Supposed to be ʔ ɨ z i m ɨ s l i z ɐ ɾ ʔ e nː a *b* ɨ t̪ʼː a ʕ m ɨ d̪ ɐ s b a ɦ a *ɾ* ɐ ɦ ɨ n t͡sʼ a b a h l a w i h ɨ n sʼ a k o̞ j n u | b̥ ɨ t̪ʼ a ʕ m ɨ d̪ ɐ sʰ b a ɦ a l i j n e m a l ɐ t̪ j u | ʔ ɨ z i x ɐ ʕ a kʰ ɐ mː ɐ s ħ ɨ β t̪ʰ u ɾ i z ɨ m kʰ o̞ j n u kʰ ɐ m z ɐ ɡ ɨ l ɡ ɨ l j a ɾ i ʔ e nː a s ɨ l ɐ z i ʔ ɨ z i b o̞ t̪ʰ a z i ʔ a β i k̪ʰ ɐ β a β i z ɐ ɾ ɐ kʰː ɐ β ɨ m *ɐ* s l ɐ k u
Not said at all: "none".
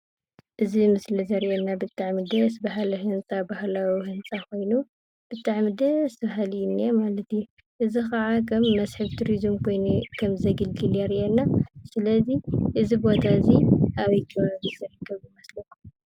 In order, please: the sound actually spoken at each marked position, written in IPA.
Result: b, l, ɐ

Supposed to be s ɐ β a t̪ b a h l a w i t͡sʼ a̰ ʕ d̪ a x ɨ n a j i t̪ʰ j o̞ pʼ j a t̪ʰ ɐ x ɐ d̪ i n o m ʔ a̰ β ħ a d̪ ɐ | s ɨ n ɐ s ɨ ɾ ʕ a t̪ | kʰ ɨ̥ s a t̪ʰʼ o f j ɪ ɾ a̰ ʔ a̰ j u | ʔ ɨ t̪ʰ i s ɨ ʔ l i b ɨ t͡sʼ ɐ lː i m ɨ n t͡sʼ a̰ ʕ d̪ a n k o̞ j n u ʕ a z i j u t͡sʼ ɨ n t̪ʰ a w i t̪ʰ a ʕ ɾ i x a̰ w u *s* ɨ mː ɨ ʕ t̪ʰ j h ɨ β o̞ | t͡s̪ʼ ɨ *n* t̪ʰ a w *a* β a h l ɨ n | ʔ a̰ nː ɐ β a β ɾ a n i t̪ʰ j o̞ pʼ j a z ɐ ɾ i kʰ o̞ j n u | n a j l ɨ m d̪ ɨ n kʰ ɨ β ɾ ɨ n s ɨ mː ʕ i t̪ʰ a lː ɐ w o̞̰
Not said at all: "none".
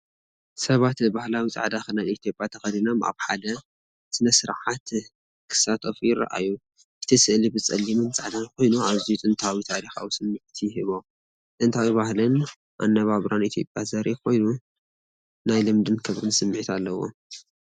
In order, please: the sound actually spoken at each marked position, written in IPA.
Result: s, n, i

